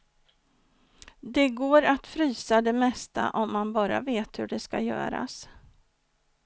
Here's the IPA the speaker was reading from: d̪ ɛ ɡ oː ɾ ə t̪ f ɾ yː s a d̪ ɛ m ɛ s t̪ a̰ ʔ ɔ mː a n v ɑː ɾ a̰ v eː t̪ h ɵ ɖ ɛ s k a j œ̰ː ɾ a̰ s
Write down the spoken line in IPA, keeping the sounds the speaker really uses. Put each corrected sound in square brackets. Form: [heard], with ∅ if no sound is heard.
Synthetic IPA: d̪ ɛ ɡ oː ɾ [a] t̪ f ɾ yː s a d̪ ɛ m ɛ s t̪ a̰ ʔ ɔ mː a n [b] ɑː ɾ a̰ v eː t̪ h ɵ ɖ ɛ s k a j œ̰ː ɾ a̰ s